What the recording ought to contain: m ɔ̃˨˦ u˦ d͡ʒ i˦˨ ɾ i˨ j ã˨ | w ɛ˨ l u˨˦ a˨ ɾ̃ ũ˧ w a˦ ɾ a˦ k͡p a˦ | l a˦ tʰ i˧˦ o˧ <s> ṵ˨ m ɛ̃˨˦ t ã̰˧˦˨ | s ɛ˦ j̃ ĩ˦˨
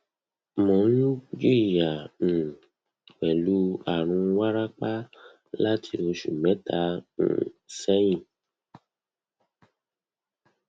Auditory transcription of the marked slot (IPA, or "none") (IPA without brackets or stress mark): ʃ